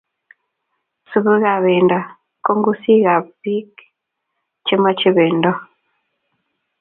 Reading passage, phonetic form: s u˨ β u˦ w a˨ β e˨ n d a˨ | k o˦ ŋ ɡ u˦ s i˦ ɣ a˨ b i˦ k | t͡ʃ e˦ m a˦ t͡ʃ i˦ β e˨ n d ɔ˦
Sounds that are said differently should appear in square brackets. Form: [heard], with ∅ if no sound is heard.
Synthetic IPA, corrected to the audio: s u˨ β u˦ [ɣ] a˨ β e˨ n d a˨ | k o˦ ŋ ɡ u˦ s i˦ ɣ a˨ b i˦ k | t͡ʃ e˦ m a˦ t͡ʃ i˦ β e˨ n d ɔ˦

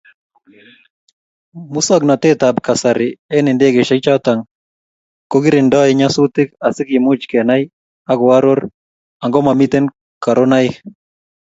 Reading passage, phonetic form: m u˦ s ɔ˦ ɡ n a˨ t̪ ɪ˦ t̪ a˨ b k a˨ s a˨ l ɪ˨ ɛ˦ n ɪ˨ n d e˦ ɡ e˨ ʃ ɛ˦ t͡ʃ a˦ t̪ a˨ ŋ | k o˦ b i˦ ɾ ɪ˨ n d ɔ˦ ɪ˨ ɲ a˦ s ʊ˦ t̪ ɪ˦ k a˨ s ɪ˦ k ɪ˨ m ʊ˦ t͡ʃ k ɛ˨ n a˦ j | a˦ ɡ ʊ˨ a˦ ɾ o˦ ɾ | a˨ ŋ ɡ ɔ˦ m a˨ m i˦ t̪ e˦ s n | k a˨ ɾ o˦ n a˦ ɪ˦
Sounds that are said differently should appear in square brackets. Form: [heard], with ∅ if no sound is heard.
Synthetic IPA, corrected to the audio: m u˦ s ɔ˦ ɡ n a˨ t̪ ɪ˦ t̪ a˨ b k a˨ s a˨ [ɾ] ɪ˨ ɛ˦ n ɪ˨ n d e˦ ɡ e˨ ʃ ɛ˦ t͡ʃ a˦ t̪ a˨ ŋ | k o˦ [ɡ] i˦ ɾ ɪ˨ n d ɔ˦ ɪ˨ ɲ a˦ s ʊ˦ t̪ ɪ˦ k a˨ s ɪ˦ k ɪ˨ m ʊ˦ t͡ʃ k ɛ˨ n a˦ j | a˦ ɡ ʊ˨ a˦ ɾ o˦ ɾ | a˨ ŋ ɡ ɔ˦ m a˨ m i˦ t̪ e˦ [∅] n | k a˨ ɾ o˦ n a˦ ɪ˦

